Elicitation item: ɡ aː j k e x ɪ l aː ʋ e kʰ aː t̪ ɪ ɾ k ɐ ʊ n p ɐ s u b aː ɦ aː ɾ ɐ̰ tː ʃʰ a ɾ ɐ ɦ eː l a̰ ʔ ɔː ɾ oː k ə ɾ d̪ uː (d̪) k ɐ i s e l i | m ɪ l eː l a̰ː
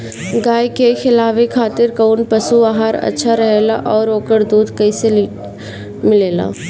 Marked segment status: correct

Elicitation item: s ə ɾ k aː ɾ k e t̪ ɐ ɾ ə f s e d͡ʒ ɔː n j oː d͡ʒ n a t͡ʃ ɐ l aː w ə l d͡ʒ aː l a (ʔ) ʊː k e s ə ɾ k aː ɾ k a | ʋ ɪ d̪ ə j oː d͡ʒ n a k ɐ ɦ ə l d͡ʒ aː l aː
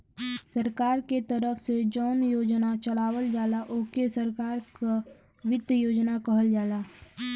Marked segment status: correct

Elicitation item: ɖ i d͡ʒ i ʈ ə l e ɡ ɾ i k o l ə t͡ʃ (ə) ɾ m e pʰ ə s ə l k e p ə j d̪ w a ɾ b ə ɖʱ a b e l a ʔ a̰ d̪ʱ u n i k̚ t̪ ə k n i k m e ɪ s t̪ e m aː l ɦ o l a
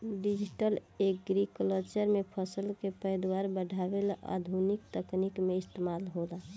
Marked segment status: correct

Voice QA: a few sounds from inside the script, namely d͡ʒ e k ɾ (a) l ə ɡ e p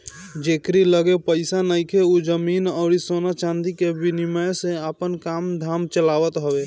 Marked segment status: incorrect: i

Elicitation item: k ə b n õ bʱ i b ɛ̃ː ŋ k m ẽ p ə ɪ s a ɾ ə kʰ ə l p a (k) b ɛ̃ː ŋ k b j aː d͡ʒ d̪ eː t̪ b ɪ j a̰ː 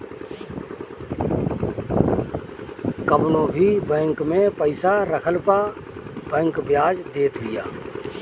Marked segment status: incorrect: none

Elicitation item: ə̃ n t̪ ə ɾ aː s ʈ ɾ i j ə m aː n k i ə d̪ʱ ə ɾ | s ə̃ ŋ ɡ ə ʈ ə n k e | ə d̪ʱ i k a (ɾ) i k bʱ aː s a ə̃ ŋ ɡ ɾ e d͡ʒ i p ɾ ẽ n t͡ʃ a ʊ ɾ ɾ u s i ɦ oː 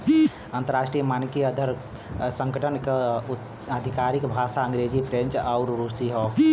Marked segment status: correct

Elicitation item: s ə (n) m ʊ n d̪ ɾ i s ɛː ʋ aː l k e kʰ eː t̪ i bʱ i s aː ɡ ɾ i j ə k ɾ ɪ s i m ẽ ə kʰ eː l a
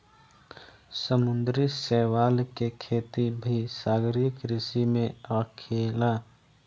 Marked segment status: incorrect: none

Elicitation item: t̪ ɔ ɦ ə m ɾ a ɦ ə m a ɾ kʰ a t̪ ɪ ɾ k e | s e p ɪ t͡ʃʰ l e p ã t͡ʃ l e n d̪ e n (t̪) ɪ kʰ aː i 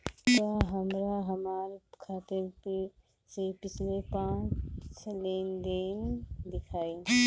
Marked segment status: incorrect: d̪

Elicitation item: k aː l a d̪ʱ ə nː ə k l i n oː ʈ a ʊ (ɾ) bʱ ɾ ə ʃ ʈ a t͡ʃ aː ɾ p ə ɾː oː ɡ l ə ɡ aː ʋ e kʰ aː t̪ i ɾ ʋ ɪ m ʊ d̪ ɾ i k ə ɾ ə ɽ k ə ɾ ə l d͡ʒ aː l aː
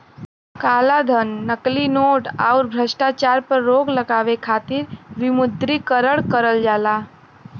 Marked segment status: correct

